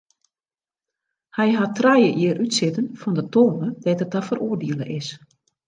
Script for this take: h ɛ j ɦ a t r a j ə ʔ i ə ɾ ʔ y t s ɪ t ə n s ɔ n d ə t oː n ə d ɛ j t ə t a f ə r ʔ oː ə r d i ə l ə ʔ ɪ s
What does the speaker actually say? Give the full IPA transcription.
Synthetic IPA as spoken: h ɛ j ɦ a t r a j ə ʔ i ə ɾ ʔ y t s ɪ t ə n f ɔ n d ə t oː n ə d ɛ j t ə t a f ə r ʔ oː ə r d i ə l ə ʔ ɪ s